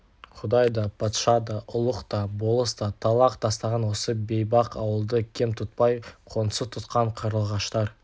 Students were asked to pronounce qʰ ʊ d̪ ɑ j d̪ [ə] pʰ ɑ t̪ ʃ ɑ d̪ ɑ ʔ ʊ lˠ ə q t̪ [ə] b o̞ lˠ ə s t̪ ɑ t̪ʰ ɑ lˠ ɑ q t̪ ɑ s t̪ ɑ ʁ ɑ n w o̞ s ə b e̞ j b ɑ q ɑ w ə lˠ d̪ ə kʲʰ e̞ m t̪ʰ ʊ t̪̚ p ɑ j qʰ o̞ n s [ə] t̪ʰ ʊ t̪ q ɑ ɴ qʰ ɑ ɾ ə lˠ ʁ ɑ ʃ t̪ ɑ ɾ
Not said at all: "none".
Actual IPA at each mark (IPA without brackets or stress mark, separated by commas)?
ɑ, ɑ, ə